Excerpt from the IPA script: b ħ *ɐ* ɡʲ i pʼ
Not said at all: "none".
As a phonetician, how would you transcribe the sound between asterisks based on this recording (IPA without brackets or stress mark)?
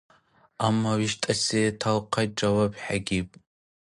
a